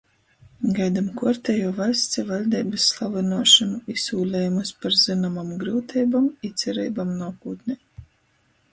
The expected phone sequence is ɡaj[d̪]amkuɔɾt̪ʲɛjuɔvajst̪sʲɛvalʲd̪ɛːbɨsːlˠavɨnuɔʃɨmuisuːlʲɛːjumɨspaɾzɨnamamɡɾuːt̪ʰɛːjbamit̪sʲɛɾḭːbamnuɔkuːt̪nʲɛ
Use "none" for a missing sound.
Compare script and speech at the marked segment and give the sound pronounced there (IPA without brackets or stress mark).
d̪